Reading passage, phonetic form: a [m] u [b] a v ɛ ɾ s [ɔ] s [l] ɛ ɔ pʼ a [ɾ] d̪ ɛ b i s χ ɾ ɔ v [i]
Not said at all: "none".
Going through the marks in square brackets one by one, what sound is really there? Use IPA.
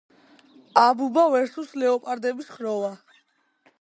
b, b, u, l, ɾ, a

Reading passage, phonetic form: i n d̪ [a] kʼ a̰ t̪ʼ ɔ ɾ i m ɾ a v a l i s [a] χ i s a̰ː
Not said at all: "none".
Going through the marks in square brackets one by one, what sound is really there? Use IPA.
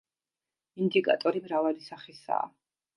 i, a

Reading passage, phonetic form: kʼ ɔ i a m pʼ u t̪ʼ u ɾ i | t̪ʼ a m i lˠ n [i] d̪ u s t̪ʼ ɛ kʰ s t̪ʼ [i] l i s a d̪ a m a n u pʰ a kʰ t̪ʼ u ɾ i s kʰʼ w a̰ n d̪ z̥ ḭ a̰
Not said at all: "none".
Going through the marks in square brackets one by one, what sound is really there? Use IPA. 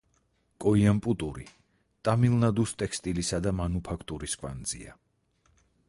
a, i

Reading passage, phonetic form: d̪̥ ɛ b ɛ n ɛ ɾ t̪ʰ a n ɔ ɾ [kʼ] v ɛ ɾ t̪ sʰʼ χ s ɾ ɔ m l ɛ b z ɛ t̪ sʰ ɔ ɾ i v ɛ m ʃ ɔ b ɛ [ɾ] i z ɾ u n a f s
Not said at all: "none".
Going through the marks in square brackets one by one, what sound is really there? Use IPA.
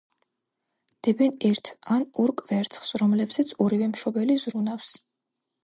kʼ, l

